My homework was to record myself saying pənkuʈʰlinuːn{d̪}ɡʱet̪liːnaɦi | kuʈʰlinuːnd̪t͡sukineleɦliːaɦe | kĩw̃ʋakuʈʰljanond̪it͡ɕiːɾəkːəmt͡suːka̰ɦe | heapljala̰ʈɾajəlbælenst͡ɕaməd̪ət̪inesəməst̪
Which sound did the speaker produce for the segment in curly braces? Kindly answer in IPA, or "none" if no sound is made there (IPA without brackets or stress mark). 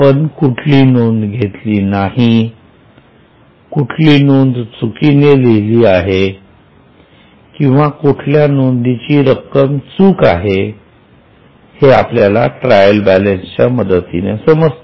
d̪